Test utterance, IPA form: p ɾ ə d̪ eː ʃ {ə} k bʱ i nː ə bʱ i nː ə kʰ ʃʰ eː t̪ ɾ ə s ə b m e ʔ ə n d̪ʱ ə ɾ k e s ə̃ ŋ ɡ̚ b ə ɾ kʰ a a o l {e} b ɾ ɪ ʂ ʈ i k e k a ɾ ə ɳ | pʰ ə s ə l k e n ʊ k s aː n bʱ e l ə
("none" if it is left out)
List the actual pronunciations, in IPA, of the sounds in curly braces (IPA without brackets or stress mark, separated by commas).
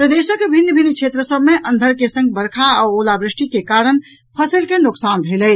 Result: ə, a